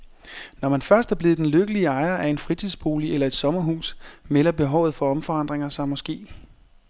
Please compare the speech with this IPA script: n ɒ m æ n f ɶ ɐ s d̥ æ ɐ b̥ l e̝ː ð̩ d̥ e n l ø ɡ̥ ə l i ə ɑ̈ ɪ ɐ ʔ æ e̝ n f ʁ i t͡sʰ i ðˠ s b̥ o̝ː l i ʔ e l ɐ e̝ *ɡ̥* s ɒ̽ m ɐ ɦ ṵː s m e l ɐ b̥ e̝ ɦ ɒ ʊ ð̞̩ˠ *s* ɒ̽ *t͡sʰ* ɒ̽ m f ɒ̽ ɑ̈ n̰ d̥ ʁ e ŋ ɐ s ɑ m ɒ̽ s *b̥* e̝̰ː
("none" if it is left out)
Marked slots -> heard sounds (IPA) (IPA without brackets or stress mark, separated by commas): d̥, f, none, ɡ̥